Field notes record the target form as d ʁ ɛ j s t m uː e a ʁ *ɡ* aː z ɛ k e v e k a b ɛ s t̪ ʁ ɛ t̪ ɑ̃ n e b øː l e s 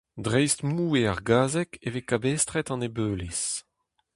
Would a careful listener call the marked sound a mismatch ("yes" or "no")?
no